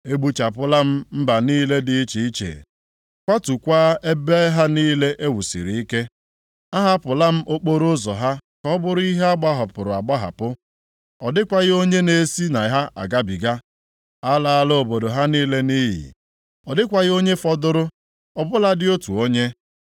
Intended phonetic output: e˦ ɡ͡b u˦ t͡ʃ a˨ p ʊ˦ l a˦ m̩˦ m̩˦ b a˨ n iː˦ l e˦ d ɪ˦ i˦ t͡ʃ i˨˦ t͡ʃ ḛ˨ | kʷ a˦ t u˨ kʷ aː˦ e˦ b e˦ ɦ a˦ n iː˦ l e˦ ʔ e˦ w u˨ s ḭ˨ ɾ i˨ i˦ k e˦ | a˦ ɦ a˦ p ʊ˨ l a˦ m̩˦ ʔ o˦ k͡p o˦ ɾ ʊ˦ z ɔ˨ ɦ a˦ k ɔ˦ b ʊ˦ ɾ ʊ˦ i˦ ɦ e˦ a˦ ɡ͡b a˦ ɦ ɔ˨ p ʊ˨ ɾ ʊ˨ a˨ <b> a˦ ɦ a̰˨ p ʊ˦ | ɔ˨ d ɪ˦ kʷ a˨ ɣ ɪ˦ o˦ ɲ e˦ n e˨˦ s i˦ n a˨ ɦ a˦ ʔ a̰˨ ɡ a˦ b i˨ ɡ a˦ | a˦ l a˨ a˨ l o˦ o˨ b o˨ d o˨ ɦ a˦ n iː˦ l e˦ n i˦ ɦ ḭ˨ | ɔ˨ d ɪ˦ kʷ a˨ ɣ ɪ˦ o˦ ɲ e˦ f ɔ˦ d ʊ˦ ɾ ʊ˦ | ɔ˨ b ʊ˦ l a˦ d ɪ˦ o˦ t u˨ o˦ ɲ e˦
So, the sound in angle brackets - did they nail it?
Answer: no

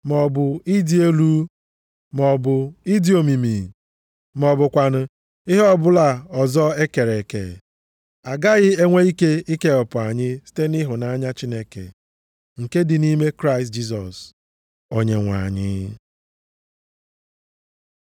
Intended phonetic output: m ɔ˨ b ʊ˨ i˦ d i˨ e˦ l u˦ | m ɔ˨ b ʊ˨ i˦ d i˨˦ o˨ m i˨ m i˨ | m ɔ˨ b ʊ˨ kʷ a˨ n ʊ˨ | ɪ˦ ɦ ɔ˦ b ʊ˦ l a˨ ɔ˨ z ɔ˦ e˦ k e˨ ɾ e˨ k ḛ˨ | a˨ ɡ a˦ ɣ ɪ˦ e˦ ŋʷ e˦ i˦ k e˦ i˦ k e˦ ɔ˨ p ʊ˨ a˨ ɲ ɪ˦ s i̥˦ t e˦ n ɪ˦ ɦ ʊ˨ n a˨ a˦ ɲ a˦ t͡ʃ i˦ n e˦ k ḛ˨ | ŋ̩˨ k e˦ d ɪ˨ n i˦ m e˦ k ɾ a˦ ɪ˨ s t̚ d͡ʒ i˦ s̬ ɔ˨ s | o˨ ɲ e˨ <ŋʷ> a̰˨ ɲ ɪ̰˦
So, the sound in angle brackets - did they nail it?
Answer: yes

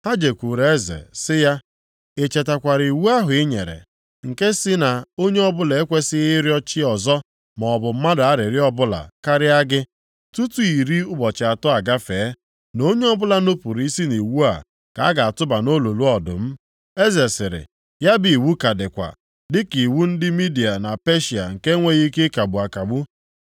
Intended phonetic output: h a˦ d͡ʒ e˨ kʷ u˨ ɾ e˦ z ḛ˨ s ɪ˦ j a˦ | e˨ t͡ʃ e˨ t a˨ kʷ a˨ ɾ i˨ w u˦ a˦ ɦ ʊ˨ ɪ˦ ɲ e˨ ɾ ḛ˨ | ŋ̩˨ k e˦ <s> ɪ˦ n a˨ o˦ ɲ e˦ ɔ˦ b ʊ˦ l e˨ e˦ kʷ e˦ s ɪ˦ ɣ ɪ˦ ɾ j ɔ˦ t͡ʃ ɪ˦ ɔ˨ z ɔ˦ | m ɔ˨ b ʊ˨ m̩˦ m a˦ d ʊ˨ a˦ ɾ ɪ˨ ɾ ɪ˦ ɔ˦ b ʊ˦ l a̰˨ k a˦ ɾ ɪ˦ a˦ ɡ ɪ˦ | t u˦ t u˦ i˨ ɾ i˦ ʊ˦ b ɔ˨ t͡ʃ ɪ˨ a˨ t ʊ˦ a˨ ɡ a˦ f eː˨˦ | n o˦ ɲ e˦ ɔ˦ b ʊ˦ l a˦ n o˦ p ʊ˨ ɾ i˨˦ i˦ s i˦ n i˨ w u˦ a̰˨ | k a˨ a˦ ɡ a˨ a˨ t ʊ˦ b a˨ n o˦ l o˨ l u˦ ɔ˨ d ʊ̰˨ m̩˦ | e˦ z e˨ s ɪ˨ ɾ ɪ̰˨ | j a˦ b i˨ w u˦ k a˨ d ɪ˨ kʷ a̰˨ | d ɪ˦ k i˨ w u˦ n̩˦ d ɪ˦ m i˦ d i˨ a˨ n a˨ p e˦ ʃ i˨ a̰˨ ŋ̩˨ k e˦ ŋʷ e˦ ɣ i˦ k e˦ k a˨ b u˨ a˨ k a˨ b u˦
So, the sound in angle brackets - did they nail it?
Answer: yes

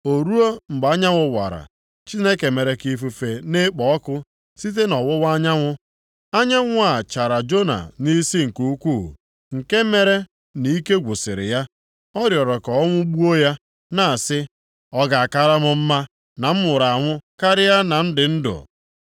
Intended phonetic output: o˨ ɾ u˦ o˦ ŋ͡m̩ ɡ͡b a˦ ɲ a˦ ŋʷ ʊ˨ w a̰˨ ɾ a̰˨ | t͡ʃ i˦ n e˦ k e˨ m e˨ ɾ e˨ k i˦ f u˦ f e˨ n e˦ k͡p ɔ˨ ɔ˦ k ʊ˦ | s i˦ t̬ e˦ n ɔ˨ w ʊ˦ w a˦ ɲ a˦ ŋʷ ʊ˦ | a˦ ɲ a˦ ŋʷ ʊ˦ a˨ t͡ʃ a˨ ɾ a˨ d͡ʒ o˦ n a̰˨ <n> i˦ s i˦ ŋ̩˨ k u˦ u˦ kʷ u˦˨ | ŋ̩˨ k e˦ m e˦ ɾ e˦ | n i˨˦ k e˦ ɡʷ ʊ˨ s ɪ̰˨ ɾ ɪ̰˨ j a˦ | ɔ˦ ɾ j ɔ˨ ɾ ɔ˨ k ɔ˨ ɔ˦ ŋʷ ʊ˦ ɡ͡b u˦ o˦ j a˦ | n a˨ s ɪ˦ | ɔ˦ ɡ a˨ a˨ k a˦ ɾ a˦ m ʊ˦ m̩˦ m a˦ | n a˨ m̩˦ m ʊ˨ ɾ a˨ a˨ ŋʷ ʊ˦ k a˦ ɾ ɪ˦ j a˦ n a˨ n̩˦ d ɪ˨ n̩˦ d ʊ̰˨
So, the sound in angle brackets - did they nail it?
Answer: yes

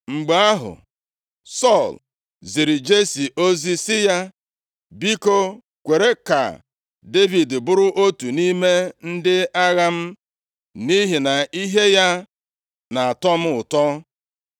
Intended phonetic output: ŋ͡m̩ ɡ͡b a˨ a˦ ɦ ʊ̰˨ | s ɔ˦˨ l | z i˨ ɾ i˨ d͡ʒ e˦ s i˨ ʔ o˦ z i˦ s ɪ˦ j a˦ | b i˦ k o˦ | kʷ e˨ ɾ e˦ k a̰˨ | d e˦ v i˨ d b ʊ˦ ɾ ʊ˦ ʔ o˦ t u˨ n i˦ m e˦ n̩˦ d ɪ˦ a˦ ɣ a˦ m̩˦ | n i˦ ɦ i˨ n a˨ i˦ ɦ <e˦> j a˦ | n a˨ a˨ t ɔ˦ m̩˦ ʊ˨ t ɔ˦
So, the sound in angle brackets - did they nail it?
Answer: yes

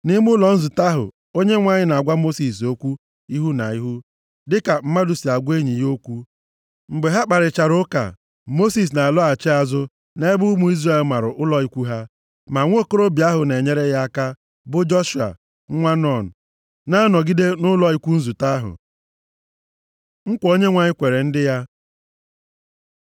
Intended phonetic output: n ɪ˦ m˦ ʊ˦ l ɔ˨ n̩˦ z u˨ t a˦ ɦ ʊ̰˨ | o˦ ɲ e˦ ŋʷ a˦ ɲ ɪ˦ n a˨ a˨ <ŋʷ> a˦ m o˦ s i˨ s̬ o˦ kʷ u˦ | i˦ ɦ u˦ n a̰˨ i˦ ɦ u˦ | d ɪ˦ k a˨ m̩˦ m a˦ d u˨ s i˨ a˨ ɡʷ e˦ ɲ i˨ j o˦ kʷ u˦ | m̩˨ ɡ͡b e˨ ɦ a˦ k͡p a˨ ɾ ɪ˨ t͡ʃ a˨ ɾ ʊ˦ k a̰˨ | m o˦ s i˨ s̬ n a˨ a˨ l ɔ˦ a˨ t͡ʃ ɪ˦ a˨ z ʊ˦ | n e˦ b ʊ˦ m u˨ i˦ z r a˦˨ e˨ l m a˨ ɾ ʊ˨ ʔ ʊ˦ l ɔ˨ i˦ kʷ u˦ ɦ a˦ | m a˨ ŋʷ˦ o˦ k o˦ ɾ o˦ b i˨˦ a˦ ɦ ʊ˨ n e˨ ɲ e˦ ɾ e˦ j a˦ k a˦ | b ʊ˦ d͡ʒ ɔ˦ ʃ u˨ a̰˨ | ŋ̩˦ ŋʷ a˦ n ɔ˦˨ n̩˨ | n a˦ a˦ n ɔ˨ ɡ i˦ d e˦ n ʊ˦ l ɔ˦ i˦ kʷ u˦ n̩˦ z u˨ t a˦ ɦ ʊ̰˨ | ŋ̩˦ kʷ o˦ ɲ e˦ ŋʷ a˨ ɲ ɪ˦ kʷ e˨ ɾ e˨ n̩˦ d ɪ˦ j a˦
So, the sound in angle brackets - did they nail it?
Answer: no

